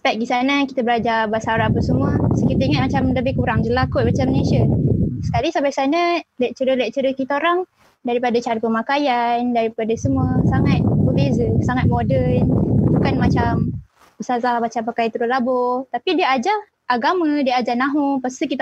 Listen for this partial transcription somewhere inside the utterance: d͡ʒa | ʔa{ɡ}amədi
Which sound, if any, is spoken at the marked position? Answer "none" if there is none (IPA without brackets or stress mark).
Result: ɡ